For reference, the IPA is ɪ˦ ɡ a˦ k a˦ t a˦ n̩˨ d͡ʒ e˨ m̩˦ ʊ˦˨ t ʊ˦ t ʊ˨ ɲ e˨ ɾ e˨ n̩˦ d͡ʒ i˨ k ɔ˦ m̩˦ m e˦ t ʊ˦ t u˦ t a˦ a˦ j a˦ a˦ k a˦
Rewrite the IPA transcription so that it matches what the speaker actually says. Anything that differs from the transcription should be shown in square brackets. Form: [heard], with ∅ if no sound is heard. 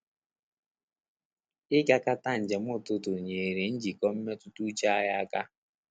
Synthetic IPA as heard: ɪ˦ ɡ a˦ k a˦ t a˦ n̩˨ d͡ʒ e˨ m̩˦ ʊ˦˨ t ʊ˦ t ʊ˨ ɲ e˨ ɾ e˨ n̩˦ d͡ʒ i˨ k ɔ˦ m̩˦ m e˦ t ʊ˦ t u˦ [t͡ʃ] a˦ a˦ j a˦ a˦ k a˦

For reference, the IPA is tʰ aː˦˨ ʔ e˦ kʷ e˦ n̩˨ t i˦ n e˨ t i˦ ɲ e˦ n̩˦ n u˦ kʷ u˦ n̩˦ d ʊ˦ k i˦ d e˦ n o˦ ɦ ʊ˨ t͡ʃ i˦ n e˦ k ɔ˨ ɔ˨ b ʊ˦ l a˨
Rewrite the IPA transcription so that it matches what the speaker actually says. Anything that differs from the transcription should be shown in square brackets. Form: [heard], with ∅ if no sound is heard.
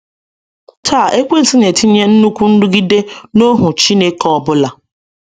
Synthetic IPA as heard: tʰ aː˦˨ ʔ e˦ kʷ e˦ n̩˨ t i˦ n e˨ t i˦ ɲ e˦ n̩˦ n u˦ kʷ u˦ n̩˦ d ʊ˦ [ɡ] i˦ d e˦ n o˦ ɦ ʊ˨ t͡ʃ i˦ n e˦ k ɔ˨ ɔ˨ b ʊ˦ l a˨

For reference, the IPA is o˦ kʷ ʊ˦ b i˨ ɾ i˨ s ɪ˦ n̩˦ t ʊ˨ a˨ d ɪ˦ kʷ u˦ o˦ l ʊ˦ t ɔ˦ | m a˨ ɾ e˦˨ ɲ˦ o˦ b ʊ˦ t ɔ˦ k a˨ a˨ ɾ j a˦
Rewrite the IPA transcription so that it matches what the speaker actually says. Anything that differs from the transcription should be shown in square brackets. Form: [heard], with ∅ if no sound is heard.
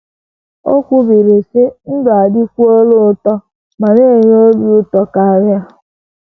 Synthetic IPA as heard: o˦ kʷ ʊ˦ b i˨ ɾ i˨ s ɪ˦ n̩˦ [d] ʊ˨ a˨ d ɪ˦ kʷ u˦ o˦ l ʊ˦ t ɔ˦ | m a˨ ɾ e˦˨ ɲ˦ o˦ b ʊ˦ t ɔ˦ k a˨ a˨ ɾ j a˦

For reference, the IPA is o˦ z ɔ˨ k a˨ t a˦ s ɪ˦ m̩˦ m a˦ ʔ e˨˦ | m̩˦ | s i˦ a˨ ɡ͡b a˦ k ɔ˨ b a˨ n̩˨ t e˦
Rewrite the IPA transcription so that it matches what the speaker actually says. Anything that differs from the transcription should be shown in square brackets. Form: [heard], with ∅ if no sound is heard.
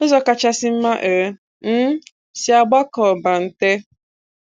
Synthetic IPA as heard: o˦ z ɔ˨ k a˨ [t͡ʃ] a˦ s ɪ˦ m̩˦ m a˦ ʔ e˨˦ | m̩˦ | s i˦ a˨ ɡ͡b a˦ k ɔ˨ b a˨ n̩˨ t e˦

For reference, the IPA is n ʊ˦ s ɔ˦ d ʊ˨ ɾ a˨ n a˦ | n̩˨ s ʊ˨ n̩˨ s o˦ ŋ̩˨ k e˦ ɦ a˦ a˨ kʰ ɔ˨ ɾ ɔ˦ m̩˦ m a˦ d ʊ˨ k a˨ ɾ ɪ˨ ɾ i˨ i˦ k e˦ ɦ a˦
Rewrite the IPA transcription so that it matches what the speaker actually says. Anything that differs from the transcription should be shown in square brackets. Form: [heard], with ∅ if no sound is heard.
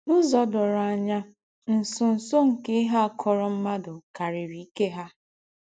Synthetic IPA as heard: n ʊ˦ [z] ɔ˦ d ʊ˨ ɾ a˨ [ɲ] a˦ | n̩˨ s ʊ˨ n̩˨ s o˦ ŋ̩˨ k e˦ ɦ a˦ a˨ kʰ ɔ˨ ɾ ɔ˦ m̩˦ m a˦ d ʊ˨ k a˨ ɾ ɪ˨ ɾ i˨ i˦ k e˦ ɦ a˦

